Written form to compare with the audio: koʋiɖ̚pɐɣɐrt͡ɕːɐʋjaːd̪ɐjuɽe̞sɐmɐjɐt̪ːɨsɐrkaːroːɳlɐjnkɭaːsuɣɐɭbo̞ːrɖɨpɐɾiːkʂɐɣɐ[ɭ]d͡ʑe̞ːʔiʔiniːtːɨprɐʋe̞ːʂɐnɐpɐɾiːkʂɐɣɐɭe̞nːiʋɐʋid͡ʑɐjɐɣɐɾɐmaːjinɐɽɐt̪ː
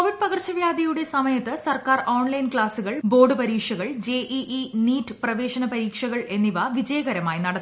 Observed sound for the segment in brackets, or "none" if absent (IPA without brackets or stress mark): ɭ